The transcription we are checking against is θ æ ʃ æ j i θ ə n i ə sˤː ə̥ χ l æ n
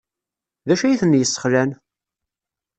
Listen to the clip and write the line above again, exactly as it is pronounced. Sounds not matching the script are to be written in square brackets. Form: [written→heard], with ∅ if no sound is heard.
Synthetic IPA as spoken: [θ→ð] æ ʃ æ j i θ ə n [i→j] ə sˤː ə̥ χ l æ n